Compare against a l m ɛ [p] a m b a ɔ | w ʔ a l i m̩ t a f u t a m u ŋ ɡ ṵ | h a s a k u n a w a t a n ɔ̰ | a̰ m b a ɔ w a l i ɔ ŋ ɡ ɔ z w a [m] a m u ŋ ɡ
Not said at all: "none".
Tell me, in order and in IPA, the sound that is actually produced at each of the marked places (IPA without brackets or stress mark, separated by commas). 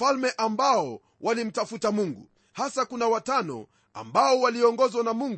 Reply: ʔ, n